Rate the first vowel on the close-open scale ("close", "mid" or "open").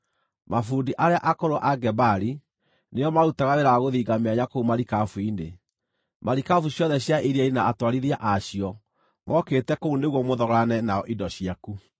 open